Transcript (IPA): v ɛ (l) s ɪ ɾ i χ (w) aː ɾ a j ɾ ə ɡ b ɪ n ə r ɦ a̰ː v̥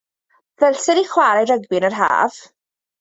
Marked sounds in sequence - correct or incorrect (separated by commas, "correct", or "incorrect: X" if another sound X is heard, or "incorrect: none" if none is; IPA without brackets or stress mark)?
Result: correct, correct